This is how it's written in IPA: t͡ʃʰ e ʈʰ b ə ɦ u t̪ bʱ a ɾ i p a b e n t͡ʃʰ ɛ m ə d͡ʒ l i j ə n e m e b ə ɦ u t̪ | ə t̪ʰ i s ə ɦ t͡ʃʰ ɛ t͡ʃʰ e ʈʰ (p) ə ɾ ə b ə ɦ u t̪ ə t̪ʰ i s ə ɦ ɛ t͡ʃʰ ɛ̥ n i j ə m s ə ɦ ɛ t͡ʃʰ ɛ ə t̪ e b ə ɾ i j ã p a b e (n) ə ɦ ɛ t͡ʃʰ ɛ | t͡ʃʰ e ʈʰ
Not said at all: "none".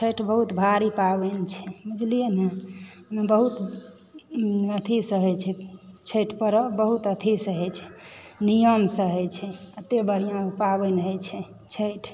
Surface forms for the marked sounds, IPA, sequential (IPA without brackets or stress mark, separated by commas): p, n